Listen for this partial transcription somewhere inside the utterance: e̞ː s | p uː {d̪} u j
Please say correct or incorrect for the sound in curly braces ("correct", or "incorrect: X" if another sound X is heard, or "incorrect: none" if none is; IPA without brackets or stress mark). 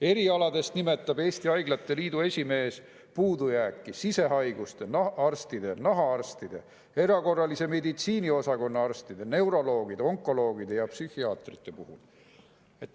correct